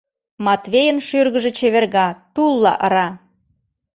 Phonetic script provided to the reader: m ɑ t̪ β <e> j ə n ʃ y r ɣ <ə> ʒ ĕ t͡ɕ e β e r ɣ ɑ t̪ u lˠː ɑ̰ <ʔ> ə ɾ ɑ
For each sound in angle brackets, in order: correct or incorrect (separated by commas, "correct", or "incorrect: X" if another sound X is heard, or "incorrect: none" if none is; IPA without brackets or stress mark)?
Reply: correct, correct, correct